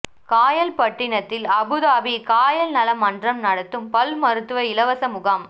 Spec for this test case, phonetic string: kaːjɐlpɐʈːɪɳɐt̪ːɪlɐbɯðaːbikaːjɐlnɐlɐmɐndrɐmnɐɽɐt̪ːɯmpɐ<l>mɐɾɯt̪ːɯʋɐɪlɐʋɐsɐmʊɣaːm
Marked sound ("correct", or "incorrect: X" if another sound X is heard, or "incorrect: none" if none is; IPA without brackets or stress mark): correct